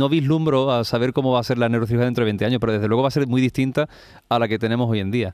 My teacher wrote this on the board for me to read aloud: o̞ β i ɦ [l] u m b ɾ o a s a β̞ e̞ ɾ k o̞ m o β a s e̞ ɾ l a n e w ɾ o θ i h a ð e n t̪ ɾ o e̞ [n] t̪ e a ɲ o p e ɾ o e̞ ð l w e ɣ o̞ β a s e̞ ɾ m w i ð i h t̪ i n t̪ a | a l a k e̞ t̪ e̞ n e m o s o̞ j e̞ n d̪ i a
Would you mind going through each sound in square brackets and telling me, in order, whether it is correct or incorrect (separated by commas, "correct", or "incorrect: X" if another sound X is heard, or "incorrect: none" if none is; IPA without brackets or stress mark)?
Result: correct, correct